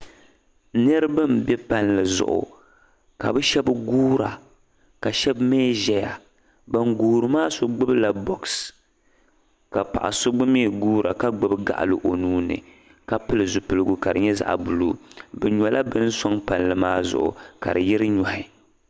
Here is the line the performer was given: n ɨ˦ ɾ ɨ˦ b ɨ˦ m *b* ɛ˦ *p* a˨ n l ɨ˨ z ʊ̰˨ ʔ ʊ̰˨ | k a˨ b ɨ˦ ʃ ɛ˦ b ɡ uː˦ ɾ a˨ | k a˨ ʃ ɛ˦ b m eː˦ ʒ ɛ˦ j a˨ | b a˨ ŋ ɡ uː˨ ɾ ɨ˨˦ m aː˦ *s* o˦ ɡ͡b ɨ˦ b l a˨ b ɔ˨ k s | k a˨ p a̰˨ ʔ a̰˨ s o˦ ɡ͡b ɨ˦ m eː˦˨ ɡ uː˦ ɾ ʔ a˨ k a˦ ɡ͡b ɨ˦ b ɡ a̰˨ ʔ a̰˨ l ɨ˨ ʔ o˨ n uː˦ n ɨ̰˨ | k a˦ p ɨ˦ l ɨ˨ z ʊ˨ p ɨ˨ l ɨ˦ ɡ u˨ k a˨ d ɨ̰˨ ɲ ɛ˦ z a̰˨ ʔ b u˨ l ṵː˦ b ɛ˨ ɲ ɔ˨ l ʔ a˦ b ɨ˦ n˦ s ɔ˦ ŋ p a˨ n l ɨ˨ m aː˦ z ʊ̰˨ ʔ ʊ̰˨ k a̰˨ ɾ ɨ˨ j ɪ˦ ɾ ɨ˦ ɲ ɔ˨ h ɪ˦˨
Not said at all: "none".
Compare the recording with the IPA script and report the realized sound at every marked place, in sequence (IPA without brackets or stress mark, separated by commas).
b, p, s